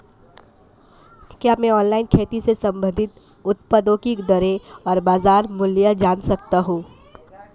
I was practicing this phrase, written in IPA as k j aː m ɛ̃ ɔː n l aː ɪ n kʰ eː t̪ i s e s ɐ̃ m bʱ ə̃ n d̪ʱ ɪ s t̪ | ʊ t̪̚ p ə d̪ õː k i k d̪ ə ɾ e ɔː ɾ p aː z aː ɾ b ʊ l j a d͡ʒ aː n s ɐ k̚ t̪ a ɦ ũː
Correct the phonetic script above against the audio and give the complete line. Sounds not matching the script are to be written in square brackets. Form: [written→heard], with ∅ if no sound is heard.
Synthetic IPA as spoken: k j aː m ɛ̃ ɔː n l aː ɪ n kʰ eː t̪ i s e s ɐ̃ m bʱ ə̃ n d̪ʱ ɪ [s→∅] t̪ | ʊ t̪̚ p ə d̪ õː k i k d̪ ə ɾ e ɔː ɾ [p→b] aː z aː ɾ [b→m] ʊ l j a d͡ʒ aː n s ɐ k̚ t̪ a ɦ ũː